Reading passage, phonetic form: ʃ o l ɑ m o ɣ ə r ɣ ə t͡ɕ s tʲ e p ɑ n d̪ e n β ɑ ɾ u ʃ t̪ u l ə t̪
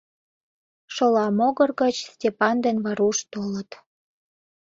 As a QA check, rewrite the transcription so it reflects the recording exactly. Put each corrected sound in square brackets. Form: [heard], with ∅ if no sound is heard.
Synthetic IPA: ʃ o l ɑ m o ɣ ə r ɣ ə t͡ɕ s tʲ e p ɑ n d̪ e n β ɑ ɾ u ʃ t̪ [o] l ə t̪